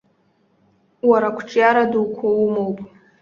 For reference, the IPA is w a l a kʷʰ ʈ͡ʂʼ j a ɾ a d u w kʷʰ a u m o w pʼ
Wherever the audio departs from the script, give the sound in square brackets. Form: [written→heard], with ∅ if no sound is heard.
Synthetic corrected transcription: w a [l→ɾ] a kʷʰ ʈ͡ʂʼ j a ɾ a d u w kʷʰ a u m o w pʼ

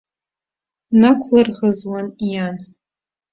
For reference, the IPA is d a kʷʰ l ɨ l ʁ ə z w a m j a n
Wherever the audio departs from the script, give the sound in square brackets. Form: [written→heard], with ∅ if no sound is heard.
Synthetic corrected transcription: [d→n] a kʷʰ l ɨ [l→r] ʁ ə z w a [m→n] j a n

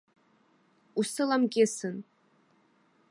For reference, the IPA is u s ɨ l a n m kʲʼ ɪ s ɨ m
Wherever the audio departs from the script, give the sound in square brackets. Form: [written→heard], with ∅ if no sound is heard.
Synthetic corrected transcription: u s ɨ l a [n→∅] m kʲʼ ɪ s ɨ [m→n]

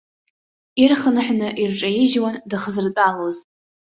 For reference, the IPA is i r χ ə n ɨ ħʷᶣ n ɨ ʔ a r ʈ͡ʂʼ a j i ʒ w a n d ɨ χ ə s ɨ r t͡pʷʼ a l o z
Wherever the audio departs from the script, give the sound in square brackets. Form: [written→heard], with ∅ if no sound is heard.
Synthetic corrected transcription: i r χ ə n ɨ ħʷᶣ n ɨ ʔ [a→i] r ʈ͡ʂʼ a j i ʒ w a n d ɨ χ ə [s→z] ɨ r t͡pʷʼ a l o z

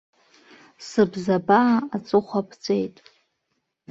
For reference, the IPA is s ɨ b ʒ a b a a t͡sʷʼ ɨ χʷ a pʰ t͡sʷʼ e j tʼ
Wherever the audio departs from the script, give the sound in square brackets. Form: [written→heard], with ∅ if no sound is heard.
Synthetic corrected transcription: s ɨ b [ʒ→z] a b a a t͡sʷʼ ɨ χʷ a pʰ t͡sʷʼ e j tʼ

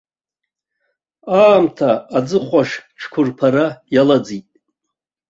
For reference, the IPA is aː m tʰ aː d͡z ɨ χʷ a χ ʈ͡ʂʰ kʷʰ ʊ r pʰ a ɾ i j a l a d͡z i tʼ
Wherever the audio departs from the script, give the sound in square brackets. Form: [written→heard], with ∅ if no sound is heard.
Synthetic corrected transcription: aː m tʰ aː d͡z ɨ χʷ a [χ→ʂ] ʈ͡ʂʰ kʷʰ ʊ r pʰ a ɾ [i→a] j a l a d͡z i tʼ

